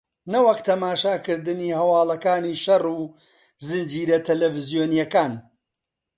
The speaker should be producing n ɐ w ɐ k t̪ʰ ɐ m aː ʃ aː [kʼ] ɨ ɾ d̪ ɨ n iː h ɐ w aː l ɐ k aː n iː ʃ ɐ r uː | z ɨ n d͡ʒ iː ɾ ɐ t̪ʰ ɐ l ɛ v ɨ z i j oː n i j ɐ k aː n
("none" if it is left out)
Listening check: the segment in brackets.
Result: k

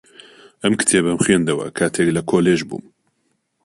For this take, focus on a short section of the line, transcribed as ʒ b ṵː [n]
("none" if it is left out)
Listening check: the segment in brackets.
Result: m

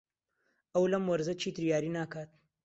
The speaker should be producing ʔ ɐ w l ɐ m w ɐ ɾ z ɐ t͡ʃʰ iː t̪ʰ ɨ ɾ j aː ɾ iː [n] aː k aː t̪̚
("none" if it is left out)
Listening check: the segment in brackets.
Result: n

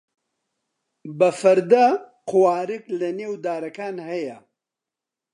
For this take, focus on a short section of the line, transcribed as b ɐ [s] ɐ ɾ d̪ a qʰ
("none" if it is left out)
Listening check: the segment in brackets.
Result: f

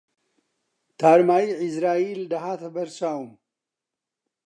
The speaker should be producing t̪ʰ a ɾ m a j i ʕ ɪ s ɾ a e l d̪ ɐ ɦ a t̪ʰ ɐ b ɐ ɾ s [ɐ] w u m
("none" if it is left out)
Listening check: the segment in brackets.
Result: a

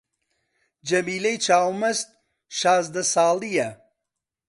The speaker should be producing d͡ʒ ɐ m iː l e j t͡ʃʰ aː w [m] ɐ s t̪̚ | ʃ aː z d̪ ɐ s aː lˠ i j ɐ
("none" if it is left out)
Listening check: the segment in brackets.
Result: m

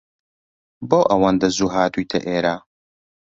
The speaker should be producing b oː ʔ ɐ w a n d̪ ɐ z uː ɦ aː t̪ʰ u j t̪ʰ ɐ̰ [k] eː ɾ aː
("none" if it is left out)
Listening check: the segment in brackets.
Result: ʔ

